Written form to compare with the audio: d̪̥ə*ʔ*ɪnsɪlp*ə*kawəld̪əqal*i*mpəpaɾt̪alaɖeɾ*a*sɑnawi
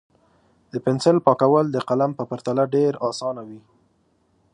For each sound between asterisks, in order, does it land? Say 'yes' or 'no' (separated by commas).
no, no, no, no